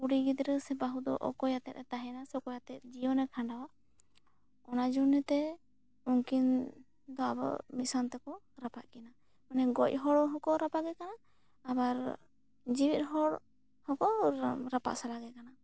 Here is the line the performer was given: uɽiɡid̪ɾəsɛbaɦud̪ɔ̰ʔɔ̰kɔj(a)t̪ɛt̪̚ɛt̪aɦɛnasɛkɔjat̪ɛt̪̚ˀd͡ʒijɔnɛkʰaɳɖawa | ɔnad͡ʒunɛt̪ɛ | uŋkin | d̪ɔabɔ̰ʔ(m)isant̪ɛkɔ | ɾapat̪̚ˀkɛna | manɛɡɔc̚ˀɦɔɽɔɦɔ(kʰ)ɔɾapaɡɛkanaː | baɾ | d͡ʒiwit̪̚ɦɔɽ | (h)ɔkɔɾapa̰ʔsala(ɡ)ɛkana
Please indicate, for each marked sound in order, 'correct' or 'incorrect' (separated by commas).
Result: correct, correct, incorrect, correct, correct